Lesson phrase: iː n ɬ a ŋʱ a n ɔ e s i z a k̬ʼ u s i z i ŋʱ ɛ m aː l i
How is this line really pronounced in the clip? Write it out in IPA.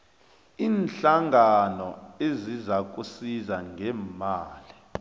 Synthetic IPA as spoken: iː n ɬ a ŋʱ a n ɔ e z i z a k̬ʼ u s i z a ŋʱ ɛ m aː l i